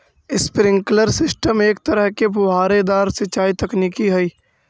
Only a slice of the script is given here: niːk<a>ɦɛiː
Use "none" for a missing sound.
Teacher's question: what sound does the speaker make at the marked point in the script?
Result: i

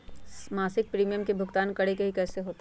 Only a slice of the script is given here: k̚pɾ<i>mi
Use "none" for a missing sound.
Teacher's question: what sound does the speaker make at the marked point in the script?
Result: iː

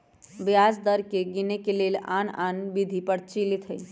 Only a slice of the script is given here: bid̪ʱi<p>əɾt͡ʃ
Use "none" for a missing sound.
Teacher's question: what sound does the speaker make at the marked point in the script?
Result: p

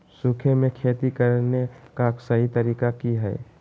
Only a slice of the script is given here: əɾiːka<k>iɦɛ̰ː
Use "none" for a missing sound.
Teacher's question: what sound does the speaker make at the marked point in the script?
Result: k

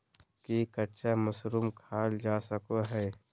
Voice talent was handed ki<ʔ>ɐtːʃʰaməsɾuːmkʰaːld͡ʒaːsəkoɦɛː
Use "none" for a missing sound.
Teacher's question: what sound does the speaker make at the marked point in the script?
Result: k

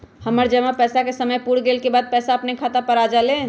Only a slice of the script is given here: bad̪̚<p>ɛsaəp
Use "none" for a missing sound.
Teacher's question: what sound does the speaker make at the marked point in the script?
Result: p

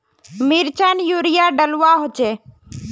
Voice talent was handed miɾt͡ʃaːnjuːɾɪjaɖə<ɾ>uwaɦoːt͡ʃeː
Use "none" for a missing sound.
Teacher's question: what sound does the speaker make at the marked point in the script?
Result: l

